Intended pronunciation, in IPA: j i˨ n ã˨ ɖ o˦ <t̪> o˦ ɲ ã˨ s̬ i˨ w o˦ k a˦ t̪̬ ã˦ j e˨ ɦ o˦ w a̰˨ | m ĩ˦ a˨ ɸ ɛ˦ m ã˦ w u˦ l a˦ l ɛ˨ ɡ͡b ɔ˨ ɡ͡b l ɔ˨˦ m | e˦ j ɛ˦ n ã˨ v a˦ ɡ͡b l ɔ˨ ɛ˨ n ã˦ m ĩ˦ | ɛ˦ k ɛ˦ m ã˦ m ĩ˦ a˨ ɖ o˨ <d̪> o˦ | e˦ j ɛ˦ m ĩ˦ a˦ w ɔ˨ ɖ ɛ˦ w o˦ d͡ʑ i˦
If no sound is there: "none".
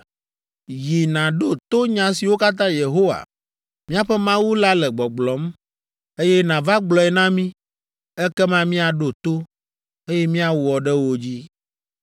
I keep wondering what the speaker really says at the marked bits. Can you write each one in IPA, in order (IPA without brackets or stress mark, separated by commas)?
t̪, t̪